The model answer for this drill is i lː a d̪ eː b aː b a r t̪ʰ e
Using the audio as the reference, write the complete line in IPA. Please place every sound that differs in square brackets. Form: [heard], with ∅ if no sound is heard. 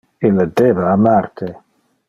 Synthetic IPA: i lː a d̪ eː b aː [m] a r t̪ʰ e